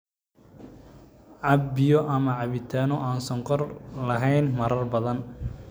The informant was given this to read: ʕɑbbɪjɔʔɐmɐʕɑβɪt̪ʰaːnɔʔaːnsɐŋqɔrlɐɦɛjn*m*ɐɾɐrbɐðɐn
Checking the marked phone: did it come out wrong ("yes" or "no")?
no